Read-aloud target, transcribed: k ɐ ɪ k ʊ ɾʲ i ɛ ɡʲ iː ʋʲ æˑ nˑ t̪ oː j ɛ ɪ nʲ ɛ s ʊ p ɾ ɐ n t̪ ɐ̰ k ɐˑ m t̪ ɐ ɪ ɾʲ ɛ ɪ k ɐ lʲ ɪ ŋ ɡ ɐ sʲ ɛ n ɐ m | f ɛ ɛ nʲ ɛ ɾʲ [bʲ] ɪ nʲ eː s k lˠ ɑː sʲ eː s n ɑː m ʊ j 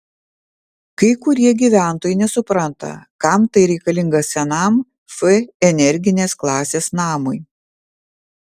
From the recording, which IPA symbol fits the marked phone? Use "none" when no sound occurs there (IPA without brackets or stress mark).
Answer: ɡʲ